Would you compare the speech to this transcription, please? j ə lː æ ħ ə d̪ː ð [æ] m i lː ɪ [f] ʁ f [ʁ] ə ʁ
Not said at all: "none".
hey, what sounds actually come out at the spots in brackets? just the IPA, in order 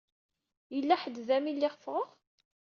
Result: æ, none, ʁ

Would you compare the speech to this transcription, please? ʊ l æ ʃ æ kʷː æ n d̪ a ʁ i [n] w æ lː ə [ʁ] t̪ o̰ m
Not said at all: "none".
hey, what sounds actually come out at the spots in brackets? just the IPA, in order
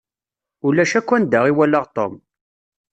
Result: none, ʁ

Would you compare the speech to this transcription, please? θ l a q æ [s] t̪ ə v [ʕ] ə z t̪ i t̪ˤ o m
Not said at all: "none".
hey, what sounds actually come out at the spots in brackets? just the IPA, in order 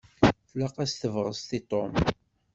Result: s, ʁ

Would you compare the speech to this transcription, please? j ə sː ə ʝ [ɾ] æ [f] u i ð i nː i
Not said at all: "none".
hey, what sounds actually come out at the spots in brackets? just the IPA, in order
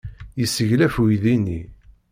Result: l, f

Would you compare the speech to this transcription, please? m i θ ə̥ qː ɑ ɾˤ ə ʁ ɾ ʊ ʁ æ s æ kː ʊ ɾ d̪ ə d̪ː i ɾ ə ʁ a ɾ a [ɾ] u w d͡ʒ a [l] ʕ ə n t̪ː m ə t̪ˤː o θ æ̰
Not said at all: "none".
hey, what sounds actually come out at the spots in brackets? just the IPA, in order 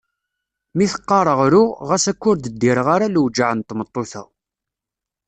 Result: l, none

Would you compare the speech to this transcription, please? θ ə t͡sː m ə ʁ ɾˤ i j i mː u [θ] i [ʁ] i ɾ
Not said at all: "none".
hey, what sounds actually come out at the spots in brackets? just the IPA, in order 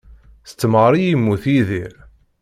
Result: θ, ð

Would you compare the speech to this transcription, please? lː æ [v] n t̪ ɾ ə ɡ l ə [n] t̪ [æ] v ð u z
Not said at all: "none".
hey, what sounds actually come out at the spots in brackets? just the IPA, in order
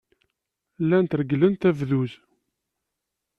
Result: none, n, æ

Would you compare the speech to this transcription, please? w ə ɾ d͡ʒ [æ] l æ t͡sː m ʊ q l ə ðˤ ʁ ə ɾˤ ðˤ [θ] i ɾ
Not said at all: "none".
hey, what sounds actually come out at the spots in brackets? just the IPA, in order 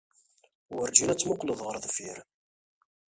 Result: i, f

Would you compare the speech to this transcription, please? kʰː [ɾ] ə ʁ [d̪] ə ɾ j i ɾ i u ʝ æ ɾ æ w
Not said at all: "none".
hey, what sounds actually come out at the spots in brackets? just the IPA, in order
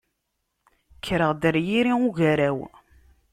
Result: ɾ, d̪

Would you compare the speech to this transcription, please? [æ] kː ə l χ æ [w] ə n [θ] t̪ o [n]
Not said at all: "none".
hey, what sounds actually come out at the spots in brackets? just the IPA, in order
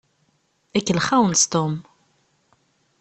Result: æ, w, s, m

